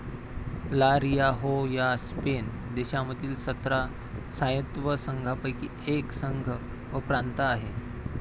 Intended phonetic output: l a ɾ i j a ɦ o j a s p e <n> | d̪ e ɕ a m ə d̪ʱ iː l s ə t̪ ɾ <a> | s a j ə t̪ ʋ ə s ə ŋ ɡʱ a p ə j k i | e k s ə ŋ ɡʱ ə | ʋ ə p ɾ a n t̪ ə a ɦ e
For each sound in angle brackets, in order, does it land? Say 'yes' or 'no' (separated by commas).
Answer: yes, yes